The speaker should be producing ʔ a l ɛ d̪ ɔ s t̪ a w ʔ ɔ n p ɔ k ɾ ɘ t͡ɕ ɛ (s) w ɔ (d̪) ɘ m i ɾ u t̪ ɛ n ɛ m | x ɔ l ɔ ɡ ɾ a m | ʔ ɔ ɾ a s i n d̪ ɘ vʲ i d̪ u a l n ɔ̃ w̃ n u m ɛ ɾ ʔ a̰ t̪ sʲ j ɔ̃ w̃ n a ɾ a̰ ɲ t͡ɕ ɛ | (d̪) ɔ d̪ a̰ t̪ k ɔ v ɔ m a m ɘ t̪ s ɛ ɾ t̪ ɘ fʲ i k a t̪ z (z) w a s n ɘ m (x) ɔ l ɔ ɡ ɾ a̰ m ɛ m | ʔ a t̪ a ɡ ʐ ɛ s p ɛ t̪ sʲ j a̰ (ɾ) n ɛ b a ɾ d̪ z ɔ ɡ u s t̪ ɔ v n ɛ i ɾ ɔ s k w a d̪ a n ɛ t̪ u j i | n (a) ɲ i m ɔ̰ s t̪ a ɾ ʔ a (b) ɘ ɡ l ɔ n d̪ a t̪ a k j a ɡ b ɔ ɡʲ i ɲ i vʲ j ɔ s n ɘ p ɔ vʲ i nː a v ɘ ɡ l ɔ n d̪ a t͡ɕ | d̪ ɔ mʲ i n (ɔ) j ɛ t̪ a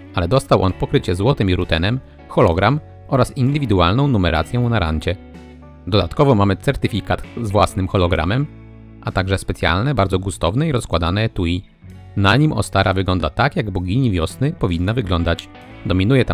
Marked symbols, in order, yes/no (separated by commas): no, no, yes, no, yes, no, yes, no, no